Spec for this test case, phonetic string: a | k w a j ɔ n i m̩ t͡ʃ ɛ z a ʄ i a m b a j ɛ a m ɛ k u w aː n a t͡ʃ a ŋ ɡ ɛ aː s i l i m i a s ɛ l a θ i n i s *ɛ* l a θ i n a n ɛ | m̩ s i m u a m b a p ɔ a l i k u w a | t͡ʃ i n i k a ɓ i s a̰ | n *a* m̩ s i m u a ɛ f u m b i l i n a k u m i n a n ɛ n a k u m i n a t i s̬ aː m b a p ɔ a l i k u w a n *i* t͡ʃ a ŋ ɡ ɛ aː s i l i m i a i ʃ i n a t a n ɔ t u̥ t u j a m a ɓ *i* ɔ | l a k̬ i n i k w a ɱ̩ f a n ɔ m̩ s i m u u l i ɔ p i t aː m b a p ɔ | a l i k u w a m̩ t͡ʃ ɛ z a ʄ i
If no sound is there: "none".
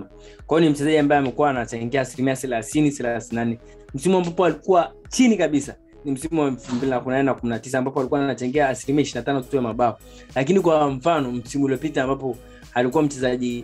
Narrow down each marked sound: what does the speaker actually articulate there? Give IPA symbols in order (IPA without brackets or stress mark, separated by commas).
ɛ, i, a, a